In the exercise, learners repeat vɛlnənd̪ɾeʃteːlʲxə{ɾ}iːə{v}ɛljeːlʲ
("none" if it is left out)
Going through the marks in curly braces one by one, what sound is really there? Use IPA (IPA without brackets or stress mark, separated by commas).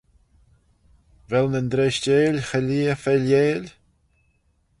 l, f